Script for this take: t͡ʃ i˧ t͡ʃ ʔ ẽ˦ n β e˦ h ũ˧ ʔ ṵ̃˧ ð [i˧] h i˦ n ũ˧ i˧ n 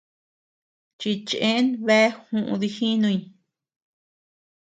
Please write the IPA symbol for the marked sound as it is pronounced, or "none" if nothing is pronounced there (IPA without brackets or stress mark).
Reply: i˧